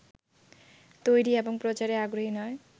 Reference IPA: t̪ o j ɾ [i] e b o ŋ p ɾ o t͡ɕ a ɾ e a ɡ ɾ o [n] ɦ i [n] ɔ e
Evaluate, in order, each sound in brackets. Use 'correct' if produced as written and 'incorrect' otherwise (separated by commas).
correct, incorrect, correct